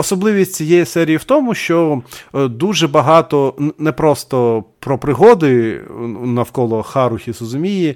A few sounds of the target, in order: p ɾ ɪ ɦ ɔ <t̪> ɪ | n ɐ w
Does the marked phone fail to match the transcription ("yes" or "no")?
yes